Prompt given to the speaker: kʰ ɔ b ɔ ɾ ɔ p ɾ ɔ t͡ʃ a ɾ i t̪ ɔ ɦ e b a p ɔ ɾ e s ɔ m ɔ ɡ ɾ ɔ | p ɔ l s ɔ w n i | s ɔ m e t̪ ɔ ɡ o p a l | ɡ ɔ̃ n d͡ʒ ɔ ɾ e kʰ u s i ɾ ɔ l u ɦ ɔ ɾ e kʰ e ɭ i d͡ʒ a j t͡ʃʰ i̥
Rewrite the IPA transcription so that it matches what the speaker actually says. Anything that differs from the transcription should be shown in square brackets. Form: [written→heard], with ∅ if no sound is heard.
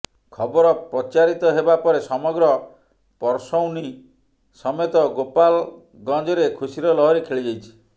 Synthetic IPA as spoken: kʰ ɔ b ɔ ɾ ɔ p ɾ ɔ t͡ʃ a ɾ i t̪ ɔ ɦ e b a p ɔ ɾ e s ɔ m ɔ ɡ ɾ ɔ | p ɔ [l→ɾ] s ɔ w n i | s ɔ m e t̪ ɔ ɡ o p a l | ɡ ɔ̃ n d͡ʒ ɔ ɾ e kʰ u s i ɾ ɔ l [u→ɔ] ɦ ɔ ɾ e kʰ e ɭ i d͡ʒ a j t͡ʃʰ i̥